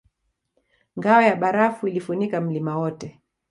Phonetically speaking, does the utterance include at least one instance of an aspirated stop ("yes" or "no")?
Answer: no